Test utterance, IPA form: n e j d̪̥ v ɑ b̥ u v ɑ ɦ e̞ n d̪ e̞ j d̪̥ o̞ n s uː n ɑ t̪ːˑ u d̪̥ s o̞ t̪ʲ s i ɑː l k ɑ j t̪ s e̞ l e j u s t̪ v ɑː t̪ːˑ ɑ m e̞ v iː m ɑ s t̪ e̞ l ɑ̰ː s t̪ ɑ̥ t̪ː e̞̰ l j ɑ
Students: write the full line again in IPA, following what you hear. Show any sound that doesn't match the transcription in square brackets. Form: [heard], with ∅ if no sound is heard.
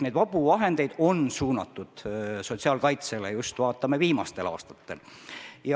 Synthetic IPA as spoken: n e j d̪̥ v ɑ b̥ u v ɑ ɦ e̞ n d̪ e̞ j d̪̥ o̞ n s uː n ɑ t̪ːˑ u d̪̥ s o̞ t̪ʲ s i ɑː l k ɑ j t̪ s e̞ l e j u s t̪ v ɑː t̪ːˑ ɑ m e̞ v iː m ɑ s t̪ e̞ l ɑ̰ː s t̪ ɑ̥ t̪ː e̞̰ l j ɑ